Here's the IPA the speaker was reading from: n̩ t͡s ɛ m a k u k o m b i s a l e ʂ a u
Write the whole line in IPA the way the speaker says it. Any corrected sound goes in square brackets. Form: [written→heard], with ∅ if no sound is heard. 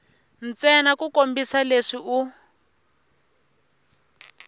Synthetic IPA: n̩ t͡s ɛ [m→n] a k u k o m b i s a l e ʂ [a→i] u